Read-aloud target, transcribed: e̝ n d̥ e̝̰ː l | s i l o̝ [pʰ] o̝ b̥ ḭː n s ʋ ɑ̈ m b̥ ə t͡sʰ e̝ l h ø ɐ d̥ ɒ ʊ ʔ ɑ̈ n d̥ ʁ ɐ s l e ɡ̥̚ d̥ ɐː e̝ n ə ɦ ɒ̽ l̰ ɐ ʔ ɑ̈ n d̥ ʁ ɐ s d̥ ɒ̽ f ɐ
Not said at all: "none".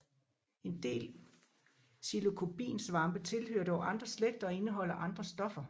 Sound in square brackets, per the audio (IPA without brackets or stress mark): kʰ